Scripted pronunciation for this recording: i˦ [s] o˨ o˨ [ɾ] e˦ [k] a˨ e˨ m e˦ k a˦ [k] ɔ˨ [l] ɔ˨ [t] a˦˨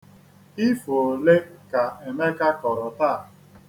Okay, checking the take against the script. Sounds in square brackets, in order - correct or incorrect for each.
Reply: incorrect, incorrect, correct, correct, incorrect, correct

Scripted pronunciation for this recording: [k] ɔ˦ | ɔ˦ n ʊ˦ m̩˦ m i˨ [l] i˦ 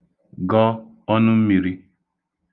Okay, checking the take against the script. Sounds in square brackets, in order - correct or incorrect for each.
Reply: incorrect, incorrect

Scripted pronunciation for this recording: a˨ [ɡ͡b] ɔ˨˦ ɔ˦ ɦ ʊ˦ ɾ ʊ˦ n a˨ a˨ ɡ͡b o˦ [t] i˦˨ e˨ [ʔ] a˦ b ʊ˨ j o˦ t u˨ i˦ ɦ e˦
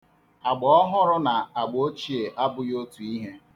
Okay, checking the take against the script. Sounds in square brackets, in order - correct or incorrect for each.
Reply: correct, incorrect, correct

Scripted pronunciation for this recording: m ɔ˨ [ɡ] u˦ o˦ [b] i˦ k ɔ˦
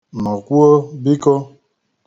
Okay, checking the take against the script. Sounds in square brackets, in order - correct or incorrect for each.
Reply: incorrect, correct

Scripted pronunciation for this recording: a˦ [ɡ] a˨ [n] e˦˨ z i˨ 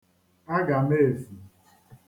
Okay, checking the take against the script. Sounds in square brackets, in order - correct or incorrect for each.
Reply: correct, incorrect

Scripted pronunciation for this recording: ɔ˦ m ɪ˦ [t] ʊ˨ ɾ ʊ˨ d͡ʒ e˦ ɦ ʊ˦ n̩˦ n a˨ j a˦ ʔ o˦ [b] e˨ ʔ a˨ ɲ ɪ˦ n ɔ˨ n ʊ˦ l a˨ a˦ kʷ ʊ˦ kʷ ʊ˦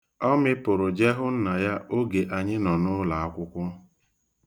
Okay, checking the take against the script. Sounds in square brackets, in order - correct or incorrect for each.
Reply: incorrect, incorrect

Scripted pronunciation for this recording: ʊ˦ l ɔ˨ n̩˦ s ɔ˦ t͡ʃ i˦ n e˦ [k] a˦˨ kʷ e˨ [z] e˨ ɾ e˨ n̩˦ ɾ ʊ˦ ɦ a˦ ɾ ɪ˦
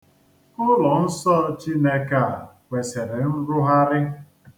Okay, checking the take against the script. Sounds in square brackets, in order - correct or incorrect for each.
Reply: correct, incorrect

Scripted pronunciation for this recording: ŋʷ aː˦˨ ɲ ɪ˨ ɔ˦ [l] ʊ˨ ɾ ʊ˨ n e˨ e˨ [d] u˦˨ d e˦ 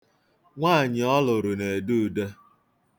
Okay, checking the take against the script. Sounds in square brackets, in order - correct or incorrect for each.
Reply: correct, correct

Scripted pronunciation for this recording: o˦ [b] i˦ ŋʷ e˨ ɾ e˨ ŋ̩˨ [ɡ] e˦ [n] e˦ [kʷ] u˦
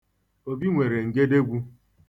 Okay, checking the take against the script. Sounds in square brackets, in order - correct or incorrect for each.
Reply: correct, correct, incorrect, incorrect

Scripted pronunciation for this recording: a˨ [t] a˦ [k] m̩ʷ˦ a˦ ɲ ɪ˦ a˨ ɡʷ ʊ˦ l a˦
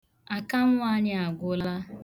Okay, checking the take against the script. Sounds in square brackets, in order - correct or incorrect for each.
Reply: incorrect, incorrect

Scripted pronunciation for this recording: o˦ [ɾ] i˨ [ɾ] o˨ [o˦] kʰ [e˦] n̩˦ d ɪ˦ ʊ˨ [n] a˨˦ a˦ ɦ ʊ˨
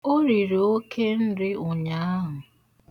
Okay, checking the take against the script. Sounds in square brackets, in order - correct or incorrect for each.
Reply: correct, correct, correct, correct, incorrect

